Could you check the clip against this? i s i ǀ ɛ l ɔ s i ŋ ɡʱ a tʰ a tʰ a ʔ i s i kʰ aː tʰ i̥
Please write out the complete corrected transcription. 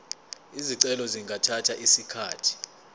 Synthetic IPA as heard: i z i ǀ ɛ l ɔ z i ŋ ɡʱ a tʰ a tʰ a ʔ i s i kʰ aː tʰ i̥